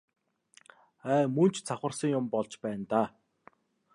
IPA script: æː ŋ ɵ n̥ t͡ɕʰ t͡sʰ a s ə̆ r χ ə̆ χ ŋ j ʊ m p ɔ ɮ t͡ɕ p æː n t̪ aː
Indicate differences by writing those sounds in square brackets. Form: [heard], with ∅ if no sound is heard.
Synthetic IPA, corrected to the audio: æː [m] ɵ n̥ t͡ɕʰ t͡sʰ a [χ] ə̆ r [s] ə̆ [∅] ŋ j ʊ m p ɔ ɮ t͡ɕ p æː n t̪ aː